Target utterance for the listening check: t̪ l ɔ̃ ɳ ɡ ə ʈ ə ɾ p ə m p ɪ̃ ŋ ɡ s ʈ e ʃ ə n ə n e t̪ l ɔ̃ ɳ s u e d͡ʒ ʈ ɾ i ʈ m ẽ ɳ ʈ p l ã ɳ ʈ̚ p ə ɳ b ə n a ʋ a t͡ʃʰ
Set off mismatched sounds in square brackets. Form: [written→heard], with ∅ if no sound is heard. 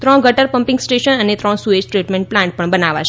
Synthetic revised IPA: t̪ [l→ɾ] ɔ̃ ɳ ɡ ə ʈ ə ɾ p ə m p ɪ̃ ŋ ɡ s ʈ e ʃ ə n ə n e t̪ [l→ɾ] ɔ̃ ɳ s u e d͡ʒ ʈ ɾ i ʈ m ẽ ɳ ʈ p l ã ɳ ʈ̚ p ə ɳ b ə n a ʋ a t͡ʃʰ